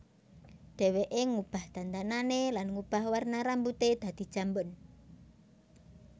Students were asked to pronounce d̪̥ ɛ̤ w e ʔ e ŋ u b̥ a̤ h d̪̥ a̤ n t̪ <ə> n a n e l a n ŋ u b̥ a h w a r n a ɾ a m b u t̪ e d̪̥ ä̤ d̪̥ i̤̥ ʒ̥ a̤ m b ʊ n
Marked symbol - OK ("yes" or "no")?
no